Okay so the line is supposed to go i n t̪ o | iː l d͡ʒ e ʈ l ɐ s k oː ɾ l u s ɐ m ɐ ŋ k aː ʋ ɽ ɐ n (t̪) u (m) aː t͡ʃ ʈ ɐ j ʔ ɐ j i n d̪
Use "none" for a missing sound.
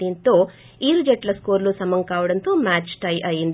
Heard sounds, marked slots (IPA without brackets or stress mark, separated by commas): t̪, m